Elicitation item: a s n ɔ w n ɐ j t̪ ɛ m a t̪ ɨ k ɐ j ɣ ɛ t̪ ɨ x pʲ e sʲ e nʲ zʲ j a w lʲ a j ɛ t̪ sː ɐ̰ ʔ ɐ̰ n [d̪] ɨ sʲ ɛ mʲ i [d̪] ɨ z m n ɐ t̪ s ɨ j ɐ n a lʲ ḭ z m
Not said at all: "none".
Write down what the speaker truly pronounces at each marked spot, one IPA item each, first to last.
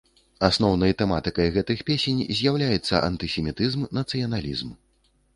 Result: t̪, t̪

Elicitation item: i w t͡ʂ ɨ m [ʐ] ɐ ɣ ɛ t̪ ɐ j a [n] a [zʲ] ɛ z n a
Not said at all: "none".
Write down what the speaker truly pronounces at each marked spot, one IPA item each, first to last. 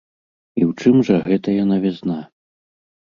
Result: ʐ, n, vʲ

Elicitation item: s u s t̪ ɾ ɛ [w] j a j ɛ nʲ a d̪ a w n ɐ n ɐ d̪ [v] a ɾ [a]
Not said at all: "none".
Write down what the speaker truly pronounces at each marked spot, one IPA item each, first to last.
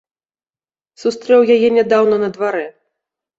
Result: w, v, ɛ

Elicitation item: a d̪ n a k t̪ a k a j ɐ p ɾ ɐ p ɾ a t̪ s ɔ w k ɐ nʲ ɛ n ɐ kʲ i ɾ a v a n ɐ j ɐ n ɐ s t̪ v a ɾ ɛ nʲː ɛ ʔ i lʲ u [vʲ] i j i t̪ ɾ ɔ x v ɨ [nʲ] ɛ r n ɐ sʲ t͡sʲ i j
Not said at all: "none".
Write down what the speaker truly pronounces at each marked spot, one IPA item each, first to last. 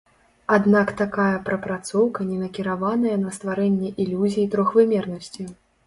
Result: zʲ, mʲ

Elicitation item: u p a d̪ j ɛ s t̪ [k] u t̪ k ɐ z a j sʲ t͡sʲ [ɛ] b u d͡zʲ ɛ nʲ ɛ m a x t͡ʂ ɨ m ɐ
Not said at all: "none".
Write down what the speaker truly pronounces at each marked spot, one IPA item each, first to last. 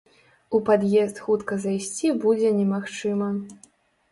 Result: x, i

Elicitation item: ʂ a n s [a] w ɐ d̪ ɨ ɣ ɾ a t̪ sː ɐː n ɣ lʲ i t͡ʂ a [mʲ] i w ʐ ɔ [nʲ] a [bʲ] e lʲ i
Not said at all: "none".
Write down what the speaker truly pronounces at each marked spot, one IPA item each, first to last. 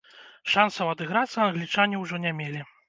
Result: ɐ, nʲ, nʲ, mʲ

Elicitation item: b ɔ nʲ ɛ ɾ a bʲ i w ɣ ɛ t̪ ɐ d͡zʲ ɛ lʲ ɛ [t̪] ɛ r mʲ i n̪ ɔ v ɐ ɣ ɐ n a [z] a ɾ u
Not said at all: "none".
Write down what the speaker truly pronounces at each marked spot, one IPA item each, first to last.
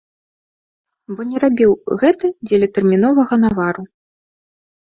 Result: t̪, v

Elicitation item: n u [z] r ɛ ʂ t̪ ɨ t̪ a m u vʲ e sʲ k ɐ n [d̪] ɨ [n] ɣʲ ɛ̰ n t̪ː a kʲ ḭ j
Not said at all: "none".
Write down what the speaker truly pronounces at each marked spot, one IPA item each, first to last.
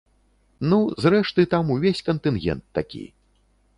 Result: z, t̪, n

